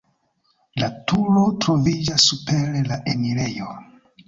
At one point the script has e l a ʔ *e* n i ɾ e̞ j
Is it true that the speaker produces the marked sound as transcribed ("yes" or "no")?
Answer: yes